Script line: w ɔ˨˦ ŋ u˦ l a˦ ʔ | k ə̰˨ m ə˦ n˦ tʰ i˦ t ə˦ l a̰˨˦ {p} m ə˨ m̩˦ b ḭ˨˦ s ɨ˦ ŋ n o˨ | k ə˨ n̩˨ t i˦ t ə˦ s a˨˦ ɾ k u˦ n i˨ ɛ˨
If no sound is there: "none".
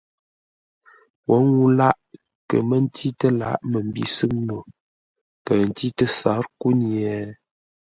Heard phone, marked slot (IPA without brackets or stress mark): ʔ